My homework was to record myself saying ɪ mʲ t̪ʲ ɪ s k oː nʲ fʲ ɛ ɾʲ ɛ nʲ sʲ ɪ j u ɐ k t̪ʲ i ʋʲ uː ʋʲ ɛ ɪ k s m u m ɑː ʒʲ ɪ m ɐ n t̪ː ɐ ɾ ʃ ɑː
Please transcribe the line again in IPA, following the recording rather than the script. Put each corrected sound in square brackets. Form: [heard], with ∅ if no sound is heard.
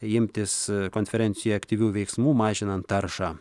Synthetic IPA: ɪ mʲ t̪ʲ ɪ s k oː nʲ fʲ ɛ ɾʲ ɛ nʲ sʲ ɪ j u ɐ k t̪ʲ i ʋʲ uː ʋʲ ɛ ɪ k s m [uː] m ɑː ʒʲ ɪ [n] ɐ n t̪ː ɐ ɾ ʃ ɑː

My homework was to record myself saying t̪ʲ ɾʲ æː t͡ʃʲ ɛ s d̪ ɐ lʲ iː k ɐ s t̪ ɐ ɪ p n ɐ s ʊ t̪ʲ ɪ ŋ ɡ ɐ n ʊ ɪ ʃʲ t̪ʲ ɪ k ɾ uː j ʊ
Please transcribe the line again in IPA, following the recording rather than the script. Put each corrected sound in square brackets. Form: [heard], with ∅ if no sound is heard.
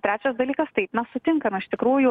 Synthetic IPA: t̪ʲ ɾʲ æː t͡ʃʲ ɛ s d̪ ɐ lʲ iː k ɐ s t̪ ɐ ɪ p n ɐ s ʊ t̪ʲ ɪ ŋ [k] ɐ n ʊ ɪ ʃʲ t̪ʲ ɪ k ɾ uː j ʊ

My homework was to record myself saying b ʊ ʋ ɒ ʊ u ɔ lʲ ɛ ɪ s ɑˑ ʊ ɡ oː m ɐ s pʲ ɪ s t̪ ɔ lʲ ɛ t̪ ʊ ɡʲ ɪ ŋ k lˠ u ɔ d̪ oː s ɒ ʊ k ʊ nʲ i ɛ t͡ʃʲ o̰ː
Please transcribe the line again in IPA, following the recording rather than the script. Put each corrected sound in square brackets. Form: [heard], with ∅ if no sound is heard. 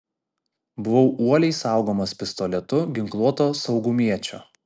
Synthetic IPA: b ʊ ʋ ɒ ʊ u ɔ lʲ ɛ ɪ s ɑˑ ʊ ɡ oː m ɐ s pʲ ɪ s t̪ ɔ lʲ ɛ t̪ ʊ ɡʲ ɪ ŋ k lˠ u ɔ [t̪] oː s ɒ ʊ [ɡ] ʊ [mʲ] i ɛ t͡ʃʲ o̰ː

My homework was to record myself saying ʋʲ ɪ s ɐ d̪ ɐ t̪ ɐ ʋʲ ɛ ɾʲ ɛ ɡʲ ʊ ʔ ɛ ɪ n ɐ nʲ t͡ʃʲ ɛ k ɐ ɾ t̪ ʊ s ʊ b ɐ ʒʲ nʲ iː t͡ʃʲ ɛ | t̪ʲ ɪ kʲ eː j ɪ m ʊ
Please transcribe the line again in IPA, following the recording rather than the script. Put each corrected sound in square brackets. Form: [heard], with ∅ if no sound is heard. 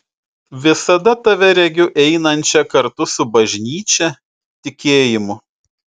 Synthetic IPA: ʋʲ ɪ s ɐ d̪ ɐ t̪ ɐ ʋʲ ɛ ɾʲ ɛ ɡʲ ʊ ʔ ɛ ɪ n ɐ nʲ t͡ʃʲ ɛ k ɐ ɾ t̪ ʊ s ʊ b ɐ ʒʲ nʲ iː t͡ʃʲ ɛ | t̪ʲ ɪ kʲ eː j ɪ m ʊ

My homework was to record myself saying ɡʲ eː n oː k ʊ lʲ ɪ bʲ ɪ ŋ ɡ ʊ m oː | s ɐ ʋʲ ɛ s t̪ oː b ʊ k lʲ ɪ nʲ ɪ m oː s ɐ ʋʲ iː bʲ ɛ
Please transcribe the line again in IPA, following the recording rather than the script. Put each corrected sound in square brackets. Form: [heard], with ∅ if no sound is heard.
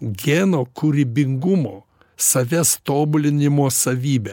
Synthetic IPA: ɡʲ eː n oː k ʊ [ɾʲ] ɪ bʲ ɪ ŋ ɡ ʊ m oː | s ɐ ʋʲ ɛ s t̪ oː b ʊ [∅] lʲ ɪ nʲ ɪ m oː s ɐ ʋʲ iː bʲ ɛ

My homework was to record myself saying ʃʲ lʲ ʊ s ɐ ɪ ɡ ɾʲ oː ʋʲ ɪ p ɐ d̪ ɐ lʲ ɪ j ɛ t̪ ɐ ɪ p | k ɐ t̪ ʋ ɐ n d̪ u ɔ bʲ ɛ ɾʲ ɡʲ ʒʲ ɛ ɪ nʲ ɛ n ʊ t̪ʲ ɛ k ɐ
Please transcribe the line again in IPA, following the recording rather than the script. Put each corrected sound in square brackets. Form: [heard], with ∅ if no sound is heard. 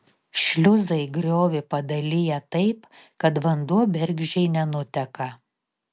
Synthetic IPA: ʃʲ lʲ ʊ [z] ɐ ɪ ɡ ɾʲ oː ʋʲ ɪ p ɐ d̪ ɐ lʲ ɪ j ɛ t̪ ɐ ɪ p | k ɐ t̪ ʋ ɐ n d̪ u ɔ bʲ ɛ ɾʲ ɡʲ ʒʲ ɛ ɪ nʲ ɛ n ʊ t̪ʲ ɛ k ɐ

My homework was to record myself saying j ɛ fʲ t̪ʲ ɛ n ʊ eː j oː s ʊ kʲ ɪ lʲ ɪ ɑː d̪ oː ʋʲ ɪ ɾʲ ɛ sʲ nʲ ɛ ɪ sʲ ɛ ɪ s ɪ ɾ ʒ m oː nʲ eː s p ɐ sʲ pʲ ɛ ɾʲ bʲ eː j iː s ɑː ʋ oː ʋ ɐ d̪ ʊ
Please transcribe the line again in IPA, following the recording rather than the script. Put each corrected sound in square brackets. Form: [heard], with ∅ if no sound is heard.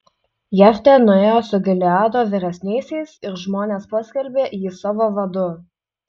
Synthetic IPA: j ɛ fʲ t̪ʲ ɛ n ʊ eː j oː s ʊ [ɡʲ] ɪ lʲ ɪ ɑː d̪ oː ʋʲ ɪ ɾʲ ɛ sʲ nʲ ɛ ɪ sʲ ɛ ɪ s ɪ ɾ ʒ m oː nʲ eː s p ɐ sʲ [kʲ] ɛ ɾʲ bʲ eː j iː s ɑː ʋ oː ʋ ɐ d̪ ʊ

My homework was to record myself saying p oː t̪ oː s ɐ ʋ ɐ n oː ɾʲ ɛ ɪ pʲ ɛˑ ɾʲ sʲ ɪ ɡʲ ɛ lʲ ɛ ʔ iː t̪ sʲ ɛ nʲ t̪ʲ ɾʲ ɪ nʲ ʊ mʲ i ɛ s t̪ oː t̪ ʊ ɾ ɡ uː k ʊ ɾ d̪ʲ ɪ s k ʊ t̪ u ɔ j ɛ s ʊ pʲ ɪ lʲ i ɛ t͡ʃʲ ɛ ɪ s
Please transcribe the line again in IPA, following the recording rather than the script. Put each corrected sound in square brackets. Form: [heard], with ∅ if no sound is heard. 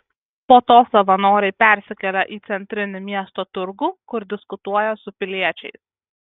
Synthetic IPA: p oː t̪ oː s ɐ ʋ ɐ n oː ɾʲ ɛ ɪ pʲ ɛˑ ɾʲ sʲ ɪ [kʲ] ɛ lʲ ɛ ʔ iː t̪ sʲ ɛ nʲ t̪ʲ ɾʲ ɪ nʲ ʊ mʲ i ɛ s t̪ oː t̪ ʊ ɾ ɡ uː k ʊ ɾ d̪ʲ ɪ s k ʊ t̪ u ɔ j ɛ s ʊ pʲ ɪ lʲ i ɛ t͡ʃʲ ɛ ɪ s

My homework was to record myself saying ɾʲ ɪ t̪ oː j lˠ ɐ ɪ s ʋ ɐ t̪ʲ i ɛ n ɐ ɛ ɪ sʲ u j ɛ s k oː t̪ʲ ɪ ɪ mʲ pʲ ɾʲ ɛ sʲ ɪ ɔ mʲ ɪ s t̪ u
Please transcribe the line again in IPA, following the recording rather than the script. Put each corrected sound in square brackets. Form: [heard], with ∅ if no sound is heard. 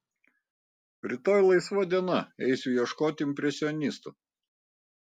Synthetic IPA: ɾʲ ɪ t̪ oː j lˠ ɐ ɪ s ʋ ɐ [d̪ʲ] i ɛ n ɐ ɛ ɪ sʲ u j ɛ [ʃ] k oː t̪ʲ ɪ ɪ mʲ pʲ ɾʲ ɛ sʲ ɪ ɔ [nʲ] ɪ s t̪ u

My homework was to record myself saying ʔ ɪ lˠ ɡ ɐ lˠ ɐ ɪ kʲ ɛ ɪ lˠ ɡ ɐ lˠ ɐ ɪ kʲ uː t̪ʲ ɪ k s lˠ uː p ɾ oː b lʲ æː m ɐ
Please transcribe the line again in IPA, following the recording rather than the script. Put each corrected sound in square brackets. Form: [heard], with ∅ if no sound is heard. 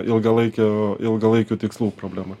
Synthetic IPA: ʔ ɪ lˠ ɡ ɐ lˠ ɐ ɪ kʲ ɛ ɪ lˠ ɡ ɐ lˠ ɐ ɪ kʲ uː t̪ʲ ɪ k s lˠ uː p ɾ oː b lʲ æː m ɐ

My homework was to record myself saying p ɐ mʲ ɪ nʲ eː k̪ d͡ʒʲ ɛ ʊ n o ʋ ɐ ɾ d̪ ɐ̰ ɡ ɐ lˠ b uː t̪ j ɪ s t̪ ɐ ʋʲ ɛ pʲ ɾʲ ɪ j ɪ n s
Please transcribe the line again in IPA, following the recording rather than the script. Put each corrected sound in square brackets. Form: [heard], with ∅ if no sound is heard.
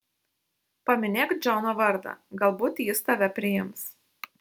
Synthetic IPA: p ɐ mʲ ɪ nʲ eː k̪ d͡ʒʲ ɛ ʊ n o ʋ ɐ ɾ d̪ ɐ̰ ɡ ɐ lˠ b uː t̪ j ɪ s t̪ ɐ ʋʲ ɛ pʲ ɾʲ ɪ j ɪ [m] s

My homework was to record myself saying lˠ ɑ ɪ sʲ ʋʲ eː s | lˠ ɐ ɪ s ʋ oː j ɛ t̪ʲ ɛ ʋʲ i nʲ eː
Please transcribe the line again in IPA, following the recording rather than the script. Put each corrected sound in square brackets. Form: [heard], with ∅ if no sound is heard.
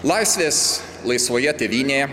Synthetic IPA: lˠ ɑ ɪ sʲ ʋʲ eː s | lˠ ɐ ɪ s ʋ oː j ɛ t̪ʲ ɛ ʋʲ [iː] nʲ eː

